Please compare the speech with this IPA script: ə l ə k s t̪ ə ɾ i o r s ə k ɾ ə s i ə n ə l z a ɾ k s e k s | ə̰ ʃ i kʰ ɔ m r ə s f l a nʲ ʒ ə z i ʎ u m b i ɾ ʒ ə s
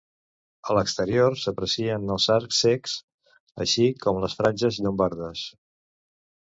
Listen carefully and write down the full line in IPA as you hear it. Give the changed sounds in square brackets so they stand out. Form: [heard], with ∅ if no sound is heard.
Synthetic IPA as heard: ə l ə k s t̪ ə ɾ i o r s ə [p] ɾ ə s i ə n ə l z a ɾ k s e k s | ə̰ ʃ i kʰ ɔ m [l] ə s f [ɾ] a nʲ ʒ ə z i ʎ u m b [a] ɾ [ð] ə s